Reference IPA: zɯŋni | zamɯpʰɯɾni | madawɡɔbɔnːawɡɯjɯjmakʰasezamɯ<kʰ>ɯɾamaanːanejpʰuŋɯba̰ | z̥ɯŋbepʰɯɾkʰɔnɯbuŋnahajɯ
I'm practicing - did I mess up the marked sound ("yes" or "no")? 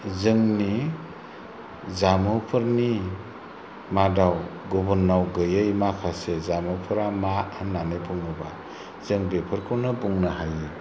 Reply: yes